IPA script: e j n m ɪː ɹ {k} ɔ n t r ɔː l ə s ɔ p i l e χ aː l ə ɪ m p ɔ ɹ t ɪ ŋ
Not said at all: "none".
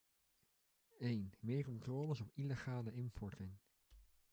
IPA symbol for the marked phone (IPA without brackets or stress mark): k